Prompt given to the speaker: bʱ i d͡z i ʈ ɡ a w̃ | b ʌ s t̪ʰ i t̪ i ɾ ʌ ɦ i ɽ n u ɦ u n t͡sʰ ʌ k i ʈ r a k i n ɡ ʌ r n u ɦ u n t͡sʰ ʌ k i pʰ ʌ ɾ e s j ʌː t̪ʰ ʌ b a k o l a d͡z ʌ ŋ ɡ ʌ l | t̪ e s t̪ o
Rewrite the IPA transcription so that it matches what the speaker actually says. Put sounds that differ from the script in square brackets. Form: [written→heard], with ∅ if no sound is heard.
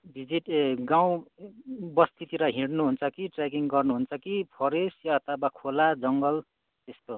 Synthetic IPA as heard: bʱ i d͡z i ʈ ɡ a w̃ | b ʌ s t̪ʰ i t̪ i ɾ ʌ ɦ i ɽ n u ɦ u n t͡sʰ ʌ k i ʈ r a k i [n→ŋ] ɡ ʌ r n u ɦ u n t͡sʰ ʌ k i pʰ ʌ ɾ e s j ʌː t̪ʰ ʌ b a [k→kʰ] o l a d͡z ʌ ŋ ɡ ʌ l | t̪ e s t̪ o